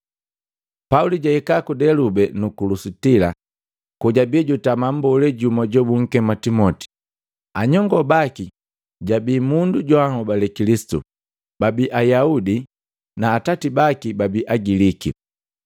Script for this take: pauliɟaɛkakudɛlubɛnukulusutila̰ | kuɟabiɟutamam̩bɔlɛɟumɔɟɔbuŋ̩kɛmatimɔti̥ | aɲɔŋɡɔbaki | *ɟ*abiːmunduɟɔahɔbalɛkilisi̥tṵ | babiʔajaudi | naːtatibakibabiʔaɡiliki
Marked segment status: correct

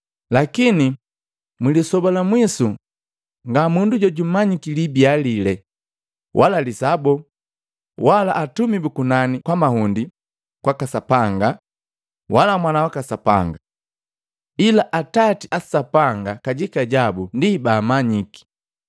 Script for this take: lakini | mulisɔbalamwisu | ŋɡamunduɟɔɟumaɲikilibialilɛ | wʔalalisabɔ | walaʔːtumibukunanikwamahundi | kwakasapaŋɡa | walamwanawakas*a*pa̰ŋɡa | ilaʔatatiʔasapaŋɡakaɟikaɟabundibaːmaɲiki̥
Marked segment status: correct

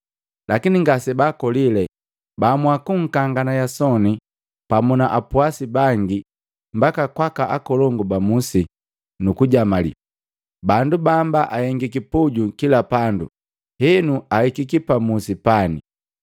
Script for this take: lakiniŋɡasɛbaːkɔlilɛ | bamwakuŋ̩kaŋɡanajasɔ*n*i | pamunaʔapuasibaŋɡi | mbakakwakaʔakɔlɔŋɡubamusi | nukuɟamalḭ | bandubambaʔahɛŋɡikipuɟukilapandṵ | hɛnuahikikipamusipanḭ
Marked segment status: correct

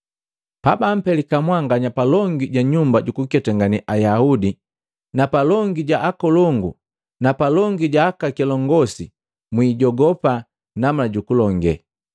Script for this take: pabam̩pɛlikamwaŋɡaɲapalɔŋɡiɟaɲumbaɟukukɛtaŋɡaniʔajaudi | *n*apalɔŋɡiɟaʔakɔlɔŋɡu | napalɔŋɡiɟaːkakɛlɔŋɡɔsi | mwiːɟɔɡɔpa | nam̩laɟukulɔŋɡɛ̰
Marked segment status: correct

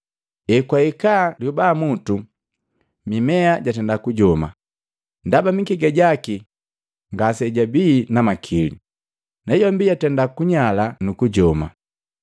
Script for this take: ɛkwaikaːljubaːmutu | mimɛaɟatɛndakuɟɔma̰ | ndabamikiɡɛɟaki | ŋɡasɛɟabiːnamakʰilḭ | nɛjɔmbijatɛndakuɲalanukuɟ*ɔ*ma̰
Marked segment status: correct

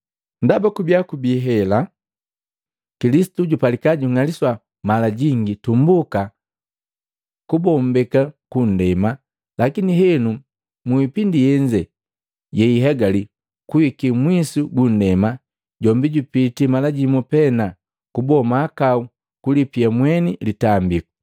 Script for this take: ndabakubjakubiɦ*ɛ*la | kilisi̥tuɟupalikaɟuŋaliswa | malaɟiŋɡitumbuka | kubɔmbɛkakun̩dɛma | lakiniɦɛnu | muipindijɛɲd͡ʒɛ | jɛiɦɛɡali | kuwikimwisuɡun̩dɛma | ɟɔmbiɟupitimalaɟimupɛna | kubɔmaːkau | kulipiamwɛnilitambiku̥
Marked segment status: correct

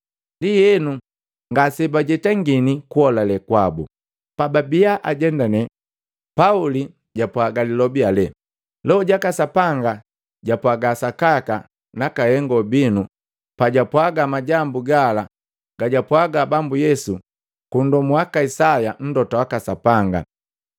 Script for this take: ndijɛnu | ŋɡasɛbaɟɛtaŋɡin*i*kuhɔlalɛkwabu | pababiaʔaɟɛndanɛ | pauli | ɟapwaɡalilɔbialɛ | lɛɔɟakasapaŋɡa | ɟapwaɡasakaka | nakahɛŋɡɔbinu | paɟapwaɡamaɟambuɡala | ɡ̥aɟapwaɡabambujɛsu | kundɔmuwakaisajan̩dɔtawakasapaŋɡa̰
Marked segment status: correct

